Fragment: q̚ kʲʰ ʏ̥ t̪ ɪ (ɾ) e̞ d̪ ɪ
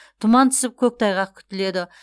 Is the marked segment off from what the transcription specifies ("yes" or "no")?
yes